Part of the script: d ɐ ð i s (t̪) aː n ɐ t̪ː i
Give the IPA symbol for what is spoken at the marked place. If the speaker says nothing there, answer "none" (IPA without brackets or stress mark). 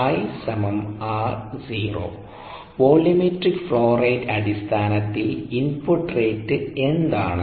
t̪ʰ